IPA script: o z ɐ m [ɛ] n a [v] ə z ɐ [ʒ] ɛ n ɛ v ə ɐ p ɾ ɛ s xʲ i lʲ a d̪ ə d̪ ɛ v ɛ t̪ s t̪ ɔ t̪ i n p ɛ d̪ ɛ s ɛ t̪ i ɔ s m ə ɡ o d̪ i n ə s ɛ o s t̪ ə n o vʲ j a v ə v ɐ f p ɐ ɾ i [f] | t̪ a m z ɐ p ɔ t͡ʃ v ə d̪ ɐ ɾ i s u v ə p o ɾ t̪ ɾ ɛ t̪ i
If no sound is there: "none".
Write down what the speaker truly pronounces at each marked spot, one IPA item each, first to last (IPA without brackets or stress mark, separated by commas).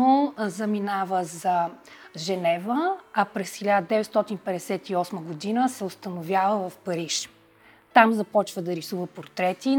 i, v, ʒ, ʃ